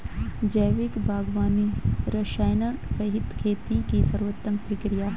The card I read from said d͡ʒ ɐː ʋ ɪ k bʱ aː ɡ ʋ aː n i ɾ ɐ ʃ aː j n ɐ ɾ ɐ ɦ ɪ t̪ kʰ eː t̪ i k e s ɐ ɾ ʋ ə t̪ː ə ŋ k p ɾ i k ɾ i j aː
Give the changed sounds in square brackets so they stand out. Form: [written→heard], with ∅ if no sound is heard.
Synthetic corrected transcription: d͡ʒ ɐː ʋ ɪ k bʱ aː ɡ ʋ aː n i ɾ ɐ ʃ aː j n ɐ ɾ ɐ ɦ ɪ t̪ kʰ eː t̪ i k [e→i] s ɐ ɾ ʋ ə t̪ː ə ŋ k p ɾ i k ɾ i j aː